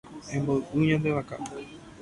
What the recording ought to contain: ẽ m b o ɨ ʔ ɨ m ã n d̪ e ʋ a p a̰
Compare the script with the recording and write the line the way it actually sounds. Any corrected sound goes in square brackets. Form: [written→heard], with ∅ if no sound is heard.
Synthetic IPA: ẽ m b o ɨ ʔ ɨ [m→ɲ] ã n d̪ e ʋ a [p→k] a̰